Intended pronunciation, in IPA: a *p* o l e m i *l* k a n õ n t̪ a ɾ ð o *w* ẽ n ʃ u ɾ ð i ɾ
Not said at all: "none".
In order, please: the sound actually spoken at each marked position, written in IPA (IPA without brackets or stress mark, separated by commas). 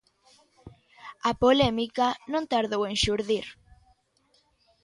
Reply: p, none, w